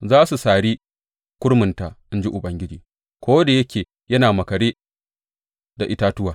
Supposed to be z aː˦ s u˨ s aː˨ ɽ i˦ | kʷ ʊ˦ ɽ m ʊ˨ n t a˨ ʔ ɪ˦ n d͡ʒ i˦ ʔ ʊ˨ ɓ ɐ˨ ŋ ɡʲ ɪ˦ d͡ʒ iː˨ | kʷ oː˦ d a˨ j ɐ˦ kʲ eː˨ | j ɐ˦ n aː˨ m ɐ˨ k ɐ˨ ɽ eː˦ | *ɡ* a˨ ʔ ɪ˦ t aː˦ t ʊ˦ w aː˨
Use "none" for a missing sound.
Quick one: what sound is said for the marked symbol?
d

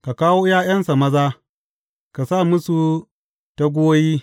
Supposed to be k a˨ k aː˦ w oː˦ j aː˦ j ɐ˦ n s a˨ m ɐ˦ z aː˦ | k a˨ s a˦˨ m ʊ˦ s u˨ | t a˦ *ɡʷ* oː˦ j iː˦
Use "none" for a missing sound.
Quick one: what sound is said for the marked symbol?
ɡʷ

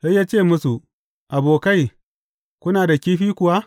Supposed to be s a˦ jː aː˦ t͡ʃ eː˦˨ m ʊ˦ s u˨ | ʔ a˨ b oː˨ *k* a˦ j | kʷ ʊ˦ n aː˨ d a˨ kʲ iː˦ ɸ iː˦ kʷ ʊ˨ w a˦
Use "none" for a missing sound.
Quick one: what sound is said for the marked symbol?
k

